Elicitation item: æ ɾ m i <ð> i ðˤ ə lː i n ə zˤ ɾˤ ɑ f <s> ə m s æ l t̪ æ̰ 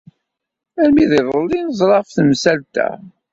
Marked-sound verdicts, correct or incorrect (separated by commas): correct, incorrect